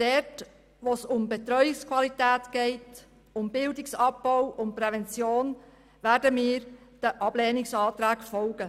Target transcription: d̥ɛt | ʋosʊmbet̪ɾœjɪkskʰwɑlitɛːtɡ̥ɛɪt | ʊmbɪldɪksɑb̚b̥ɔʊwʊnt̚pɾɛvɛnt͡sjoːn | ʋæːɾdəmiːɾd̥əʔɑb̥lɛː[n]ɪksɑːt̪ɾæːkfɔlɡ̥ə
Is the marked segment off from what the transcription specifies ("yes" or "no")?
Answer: no